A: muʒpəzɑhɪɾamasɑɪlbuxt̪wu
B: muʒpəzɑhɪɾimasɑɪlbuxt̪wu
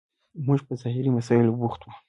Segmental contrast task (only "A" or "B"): B